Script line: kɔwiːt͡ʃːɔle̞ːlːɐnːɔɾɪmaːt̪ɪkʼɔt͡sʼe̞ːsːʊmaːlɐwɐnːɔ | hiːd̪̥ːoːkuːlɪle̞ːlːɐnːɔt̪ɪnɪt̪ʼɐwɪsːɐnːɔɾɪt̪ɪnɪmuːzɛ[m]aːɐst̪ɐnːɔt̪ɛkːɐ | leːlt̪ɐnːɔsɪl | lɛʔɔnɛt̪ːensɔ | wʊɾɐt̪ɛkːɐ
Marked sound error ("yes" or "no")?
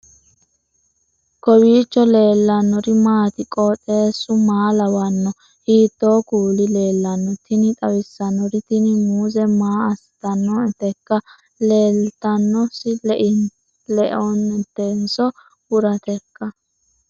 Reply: no